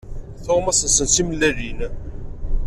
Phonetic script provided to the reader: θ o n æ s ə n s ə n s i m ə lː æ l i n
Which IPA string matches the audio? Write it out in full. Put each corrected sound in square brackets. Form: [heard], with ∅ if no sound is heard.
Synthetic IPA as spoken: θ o [m] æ s ə n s ə n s i m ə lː æ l i n